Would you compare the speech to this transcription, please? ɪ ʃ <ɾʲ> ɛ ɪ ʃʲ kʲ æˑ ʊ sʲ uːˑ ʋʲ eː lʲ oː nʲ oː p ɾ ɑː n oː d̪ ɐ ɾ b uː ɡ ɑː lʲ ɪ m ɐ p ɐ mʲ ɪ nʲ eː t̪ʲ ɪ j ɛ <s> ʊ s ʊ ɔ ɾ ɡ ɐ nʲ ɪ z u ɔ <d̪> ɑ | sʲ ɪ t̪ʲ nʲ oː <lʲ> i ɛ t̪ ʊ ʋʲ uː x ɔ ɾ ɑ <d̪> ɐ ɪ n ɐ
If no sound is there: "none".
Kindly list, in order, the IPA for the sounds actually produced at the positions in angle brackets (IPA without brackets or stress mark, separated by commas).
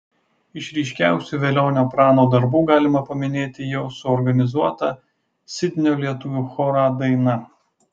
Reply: ɾʲ, none, t̪, lʲ, d̪